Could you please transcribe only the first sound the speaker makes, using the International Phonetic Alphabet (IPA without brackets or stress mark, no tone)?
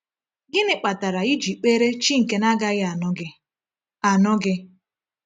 ɡ